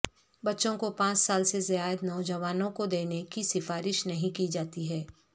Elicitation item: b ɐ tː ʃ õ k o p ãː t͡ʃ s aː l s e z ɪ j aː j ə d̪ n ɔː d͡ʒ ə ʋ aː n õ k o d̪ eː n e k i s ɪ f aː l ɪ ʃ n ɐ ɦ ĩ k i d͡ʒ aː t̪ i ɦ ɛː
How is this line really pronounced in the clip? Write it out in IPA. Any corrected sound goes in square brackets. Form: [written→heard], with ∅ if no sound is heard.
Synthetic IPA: b ɐ tː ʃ õ k o p ãː t͡ʃ s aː l s e z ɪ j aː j ə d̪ n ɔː d͡ʒ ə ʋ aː n õ k o d̪ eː n e k i s ɪ f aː [l→ɾ] ɪ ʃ n ɐ ɦ ĩ k i d͡ʒ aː t̪ i ɦ ɛː